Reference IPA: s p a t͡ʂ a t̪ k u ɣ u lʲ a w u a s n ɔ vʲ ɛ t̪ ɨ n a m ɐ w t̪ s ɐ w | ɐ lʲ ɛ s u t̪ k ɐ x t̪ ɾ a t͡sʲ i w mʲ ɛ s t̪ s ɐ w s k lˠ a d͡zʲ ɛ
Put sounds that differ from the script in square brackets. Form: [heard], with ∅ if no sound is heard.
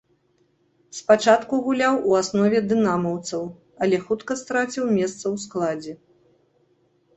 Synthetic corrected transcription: s p a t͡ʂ a t̪ k u ɣ u lʲ a w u a s n ɔ vʲ ɛ [d̪] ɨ n a m ɐ w t̪ s ɐ w | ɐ lʲ ɛ [x] u t̪ k ɐ [s] t̪ ɾ a t͡sʲ i w mʲ ɛ s t̪ s ɐ w s k lˠ a d͡zʲ ɛ